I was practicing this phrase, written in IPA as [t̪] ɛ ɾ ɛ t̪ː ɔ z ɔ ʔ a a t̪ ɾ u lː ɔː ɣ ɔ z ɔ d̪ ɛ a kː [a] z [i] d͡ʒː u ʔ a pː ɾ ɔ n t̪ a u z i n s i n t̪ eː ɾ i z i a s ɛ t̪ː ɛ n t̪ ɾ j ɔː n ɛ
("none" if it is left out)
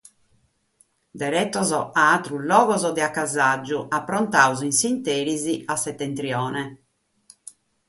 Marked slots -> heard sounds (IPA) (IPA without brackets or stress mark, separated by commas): d̪, a, a